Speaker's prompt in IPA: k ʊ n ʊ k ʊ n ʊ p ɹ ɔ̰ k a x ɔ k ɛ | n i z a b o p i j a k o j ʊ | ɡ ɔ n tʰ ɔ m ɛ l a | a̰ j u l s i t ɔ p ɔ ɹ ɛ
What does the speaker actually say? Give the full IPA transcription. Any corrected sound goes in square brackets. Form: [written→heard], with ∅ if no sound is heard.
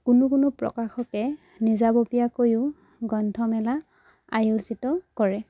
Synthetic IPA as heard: k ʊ n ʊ k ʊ n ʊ p ɹ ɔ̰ k a x ɔ k ɛ | n i z a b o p i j a k o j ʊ | ɡ ɔ n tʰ ɔ m ɛ l a | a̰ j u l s i t ɔ [p→k] ɔ ɹ ɛ

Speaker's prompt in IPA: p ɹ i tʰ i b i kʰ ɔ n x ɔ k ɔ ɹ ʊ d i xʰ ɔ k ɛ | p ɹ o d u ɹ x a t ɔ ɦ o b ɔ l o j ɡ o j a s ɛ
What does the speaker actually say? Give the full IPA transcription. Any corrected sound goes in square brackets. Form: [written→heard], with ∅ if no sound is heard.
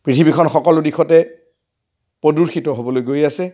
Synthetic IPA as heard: p ɹ i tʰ i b i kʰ ɔ n x ɔ k ɔ [ɹ→l] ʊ d i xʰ ɔ [k→t] ɛ | p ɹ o d u ɹ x [a→i] t ɔ ɦ o b ɔ l o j ɡ o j a s ɛ

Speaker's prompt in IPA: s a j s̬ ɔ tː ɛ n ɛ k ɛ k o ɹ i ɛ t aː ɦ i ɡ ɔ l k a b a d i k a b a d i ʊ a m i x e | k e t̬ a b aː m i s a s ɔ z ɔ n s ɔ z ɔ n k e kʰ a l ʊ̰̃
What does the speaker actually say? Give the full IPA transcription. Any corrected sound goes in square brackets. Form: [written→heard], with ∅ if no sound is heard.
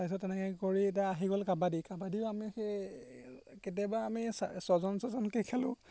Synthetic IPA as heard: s a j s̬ ɔ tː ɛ n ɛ k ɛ k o ɹ i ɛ t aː ɦ i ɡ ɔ l k a b a d i k a b a d i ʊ a m i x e | k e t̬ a b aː m i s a s ɔ z ɔ n s ɔ z ɔ n k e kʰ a l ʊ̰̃

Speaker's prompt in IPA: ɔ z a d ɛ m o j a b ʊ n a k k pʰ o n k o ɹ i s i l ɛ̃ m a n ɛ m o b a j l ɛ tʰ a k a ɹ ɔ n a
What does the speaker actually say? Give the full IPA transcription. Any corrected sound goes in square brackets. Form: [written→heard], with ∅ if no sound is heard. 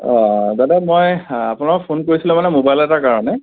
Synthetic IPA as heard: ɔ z a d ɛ m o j a [b→p] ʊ n a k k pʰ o n k o ɹ i s i l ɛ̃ m a n ɛ m o b a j l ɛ [tʰ→t] a k a ɹ ɔ n [a→ɛ]

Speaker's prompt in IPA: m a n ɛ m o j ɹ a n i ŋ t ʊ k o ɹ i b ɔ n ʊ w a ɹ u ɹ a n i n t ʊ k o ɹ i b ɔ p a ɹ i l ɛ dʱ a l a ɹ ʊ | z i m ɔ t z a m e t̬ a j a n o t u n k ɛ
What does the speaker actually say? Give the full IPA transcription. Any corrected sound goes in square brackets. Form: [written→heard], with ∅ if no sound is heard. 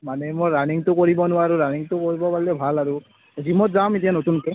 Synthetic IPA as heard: m a n ɛ m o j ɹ a n i ŋ t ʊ k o ɹ i b ɔ n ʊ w a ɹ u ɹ a n i [n→ŋ] t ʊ k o ɹ i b ɔ p a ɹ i l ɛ [dʱ→bʱ] a l a ɹ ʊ | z i m ɔ t z a m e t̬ [a→i] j a n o t u n k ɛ

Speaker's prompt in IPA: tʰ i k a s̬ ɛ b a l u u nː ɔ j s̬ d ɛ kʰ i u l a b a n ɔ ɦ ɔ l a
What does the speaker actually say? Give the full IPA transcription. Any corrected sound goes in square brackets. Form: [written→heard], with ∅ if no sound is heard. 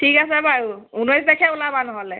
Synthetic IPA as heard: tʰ i k a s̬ ɛ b a [l→ɹ] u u [nː→n] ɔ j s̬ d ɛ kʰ [i→ɛ] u l a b a n ɔ ɦ ɔ l [a→ɛ]

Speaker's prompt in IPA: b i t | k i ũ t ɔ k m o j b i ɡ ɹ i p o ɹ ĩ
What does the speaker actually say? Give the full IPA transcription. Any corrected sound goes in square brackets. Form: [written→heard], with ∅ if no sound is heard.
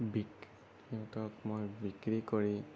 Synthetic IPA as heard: b i [t→k] | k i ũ t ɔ k m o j b i [ɡ→k] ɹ i [p→k] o ɹ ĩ

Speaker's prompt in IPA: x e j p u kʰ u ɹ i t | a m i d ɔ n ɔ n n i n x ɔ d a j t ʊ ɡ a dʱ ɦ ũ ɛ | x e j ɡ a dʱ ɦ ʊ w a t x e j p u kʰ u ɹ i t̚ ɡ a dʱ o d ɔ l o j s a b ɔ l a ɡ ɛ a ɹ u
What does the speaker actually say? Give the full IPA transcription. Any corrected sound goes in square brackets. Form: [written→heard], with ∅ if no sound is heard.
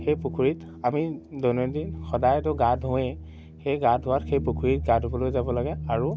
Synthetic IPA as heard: x e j p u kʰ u ɹ i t | a m i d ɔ n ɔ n [n→d] i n x ɔ d a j t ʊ ɡ a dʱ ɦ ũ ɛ | x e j ɡ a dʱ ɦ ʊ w a t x e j p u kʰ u ɹ i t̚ ɡ a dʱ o [d→b] ɔ l o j [s→z] a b ɔ l a ɡ ɛ a ɹ u

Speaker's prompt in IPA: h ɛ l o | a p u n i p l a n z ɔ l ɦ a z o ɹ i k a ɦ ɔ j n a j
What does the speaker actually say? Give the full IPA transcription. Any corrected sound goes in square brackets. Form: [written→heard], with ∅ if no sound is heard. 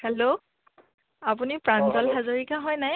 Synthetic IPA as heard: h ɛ l o | a p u n i p [l→ɹ] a n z ɔ l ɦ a z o ɹ i k a ɦ ɔ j n a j

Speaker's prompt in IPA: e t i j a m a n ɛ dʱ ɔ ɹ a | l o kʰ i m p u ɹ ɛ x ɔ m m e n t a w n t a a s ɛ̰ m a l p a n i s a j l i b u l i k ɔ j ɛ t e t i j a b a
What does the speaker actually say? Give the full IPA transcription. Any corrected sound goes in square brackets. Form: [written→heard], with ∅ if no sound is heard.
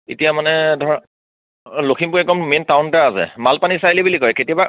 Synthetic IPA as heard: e t i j a m a n ɛ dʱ ɔ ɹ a | l o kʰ i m p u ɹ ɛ [x→k] ɔ m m e n t a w n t a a s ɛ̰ m a l p a n i s a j l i b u l i k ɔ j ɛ [t→k] e t i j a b a

